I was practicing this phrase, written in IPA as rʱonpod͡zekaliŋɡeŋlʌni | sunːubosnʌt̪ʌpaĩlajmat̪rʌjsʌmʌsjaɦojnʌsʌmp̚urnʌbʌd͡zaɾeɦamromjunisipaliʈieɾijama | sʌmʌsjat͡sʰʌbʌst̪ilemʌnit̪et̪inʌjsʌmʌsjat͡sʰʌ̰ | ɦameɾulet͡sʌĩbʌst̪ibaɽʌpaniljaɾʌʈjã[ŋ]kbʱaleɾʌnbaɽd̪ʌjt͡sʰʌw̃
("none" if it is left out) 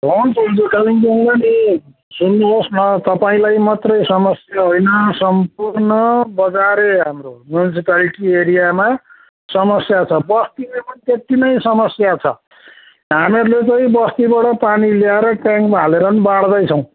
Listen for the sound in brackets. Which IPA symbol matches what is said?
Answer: ŋ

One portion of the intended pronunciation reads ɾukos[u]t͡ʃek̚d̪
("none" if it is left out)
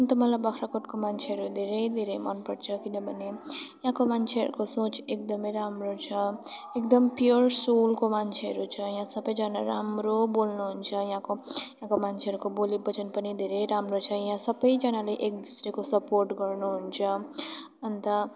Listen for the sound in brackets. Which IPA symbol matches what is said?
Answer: o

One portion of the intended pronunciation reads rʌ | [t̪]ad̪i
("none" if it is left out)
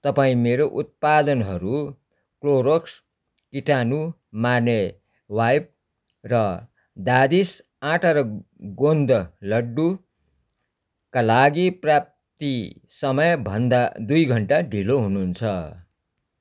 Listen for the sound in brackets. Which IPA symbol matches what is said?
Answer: d̪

